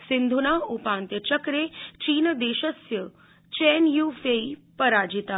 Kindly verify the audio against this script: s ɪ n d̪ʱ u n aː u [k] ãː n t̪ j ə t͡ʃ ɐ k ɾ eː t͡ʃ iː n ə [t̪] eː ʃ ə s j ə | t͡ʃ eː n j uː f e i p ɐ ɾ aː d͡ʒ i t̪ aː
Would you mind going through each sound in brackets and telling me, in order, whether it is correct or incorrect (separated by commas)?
incorrect, incorrect